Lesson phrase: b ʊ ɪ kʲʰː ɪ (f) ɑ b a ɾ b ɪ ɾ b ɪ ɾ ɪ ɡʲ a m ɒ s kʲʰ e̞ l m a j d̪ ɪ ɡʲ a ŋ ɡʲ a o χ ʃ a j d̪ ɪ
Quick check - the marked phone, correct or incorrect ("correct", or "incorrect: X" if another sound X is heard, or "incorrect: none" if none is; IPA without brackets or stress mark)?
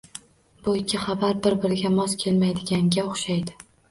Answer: incorrect: χ